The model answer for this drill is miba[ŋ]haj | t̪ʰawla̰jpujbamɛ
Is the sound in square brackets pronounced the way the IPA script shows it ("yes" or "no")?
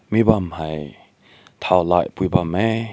no